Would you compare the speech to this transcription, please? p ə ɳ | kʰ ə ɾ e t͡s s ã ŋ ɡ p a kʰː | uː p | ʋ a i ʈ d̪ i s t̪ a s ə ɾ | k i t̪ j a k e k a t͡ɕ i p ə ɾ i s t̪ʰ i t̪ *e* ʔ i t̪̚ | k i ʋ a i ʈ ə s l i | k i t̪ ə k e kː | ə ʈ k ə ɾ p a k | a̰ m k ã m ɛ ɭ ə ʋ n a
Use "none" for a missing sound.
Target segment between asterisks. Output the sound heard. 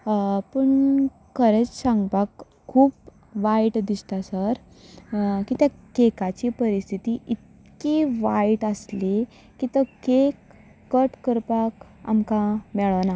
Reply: i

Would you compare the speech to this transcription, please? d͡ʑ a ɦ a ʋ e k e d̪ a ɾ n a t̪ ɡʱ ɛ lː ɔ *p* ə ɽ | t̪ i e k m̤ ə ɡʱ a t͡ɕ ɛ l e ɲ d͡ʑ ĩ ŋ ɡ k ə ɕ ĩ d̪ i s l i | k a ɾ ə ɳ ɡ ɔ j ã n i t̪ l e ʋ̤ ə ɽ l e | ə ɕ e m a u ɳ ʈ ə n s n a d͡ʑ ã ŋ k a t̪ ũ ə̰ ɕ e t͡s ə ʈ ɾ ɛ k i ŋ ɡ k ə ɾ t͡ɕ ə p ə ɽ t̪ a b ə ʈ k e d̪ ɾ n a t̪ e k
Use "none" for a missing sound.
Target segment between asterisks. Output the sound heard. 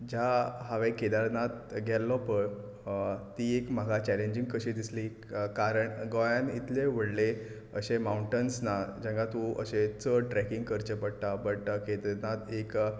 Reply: p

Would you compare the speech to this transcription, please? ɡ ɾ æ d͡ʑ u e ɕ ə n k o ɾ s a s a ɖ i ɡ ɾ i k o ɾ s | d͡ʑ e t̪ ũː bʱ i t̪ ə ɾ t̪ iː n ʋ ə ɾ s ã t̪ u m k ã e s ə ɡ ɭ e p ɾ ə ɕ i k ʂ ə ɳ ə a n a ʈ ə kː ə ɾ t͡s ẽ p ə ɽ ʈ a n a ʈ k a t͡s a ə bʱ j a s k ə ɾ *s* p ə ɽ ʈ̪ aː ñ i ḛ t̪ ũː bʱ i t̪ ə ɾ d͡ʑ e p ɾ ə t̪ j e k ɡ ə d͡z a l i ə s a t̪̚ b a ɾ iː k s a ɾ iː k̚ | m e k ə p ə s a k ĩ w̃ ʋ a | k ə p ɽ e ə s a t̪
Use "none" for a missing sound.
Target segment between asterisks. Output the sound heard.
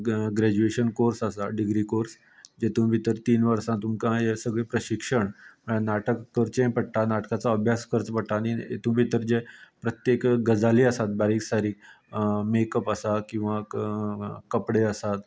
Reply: t͡s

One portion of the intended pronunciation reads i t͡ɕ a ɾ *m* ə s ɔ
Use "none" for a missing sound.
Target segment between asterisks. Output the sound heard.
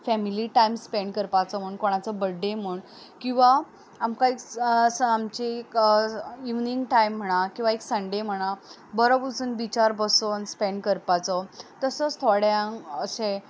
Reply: b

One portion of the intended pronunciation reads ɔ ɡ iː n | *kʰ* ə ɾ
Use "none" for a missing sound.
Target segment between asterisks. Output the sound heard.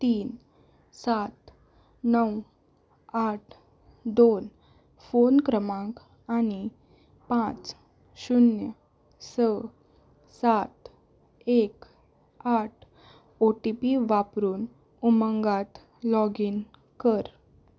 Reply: k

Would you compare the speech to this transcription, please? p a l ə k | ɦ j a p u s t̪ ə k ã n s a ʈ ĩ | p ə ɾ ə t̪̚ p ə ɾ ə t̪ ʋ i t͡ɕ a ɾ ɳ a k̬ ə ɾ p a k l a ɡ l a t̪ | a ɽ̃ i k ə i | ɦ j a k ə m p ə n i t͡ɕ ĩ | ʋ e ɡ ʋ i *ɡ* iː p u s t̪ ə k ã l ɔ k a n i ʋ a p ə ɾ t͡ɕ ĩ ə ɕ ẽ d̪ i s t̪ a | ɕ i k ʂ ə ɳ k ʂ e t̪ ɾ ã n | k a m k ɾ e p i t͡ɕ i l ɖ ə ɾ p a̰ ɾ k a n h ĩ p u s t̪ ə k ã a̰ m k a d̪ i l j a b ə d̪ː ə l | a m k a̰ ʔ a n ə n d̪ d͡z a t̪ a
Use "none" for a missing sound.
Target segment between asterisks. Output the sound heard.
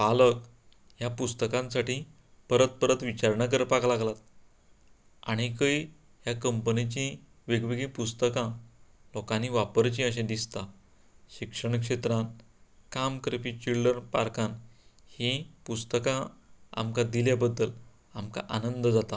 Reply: ɡ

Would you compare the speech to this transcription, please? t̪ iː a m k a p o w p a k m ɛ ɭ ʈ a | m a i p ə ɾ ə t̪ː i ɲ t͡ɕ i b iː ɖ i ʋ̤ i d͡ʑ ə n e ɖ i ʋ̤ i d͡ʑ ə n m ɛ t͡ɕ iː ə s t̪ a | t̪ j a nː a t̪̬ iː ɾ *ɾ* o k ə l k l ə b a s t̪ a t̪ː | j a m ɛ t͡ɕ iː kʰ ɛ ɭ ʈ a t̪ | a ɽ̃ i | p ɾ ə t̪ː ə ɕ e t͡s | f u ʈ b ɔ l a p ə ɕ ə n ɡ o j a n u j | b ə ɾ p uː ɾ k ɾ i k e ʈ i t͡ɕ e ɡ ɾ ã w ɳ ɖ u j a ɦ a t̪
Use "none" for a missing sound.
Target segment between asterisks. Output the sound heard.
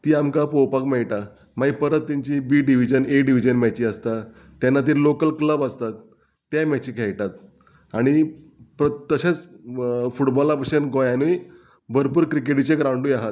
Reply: l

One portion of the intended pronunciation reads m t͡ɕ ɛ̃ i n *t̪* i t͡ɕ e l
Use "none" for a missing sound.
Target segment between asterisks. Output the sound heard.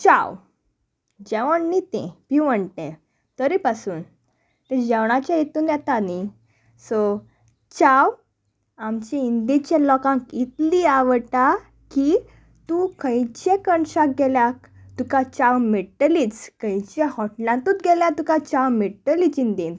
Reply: d̪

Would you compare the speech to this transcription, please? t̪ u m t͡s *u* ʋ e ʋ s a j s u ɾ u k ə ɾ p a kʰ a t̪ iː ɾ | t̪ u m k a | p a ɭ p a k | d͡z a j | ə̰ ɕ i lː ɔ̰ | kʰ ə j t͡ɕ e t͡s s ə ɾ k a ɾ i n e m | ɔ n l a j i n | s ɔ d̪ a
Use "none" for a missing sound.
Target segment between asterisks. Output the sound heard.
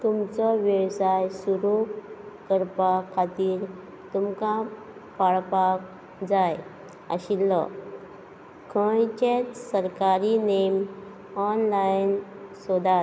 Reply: ɔ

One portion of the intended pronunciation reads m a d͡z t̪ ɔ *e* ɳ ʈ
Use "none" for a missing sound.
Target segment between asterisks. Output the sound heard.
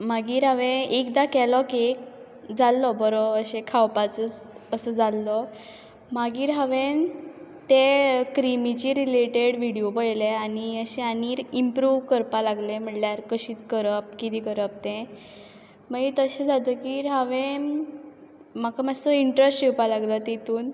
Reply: i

